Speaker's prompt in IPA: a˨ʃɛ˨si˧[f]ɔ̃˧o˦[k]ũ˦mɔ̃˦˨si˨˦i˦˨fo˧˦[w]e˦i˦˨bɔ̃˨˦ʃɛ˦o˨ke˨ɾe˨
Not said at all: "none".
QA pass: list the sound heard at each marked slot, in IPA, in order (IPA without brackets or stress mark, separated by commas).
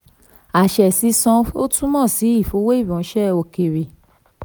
s, t, w